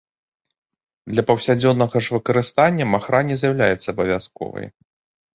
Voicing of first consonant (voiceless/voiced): voiced